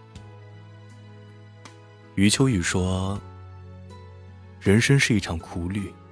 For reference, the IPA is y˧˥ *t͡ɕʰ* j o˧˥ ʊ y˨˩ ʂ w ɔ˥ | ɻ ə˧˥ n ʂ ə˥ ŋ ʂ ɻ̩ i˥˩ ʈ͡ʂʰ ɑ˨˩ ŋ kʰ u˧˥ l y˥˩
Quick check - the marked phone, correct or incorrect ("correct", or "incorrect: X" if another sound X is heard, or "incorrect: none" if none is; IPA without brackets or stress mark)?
correct